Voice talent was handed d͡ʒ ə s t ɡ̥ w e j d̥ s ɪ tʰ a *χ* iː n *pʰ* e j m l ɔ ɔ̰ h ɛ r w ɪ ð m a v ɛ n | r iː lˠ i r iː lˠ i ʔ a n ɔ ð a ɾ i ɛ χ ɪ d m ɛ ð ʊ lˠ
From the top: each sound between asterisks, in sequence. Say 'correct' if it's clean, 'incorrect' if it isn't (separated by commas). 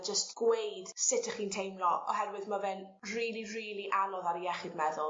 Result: correct, incorrect